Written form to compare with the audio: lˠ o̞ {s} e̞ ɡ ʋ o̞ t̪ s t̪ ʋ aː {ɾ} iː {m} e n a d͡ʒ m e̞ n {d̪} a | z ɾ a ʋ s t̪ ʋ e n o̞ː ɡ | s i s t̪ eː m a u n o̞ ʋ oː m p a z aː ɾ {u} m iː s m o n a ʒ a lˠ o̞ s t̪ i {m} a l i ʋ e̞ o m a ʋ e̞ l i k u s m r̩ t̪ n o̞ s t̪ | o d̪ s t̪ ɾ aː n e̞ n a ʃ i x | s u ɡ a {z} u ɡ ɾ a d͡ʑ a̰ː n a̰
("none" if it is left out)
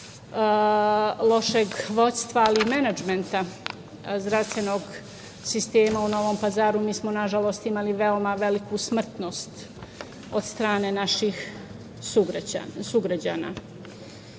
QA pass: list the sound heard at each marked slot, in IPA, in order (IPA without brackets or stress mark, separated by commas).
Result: ʃ, l, m, t̪, u, m, s